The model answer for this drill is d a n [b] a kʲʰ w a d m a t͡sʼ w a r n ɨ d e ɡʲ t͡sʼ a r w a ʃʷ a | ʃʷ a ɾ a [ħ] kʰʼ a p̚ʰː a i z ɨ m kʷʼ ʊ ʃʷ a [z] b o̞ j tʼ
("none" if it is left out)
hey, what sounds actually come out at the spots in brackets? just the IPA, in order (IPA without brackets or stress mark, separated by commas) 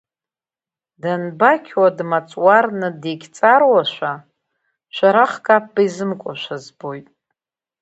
b, χ, z